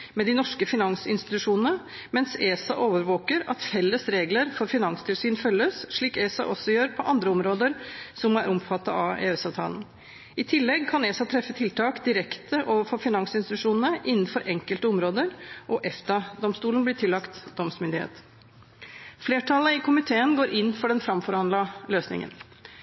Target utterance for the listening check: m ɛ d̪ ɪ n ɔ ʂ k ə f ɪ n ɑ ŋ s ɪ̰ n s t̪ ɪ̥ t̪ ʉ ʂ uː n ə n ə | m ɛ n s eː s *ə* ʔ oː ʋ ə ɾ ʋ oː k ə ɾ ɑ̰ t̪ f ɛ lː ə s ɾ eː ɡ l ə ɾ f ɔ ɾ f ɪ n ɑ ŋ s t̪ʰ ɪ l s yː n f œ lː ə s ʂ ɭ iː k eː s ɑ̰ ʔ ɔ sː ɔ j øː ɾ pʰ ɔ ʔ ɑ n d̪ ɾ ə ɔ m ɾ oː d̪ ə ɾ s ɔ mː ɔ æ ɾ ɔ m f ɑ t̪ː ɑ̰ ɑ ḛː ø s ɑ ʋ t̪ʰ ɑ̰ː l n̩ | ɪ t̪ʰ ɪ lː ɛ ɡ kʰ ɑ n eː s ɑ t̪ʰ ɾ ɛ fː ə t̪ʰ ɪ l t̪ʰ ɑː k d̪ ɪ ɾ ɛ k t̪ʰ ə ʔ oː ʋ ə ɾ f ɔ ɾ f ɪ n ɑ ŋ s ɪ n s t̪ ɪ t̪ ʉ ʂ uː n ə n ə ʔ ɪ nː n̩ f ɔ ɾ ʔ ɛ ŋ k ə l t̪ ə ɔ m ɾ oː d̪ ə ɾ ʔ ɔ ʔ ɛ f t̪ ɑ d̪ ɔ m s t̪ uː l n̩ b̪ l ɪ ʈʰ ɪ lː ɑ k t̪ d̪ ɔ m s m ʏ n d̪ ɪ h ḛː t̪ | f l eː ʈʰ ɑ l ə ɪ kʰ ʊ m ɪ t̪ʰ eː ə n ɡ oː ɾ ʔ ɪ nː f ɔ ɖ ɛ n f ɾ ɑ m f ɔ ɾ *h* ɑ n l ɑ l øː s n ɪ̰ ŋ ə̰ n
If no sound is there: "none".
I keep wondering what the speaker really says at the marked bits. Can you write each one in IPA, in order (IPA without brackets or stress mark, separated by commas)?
ɑ, h